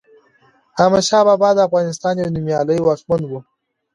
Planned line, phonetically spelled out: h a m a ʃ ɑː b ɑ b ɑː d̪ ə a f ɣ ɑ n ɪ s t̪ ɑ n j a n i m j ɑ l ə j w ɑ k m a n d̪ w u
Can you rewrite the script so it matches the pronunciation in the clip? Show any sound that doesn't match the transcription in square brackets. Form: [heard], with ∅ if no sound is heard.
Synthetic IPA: h a m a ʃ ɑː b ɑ b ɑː d̪ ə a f ɣ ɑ n ɪ s t̪ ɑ n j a n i m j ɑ l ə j w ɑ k m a n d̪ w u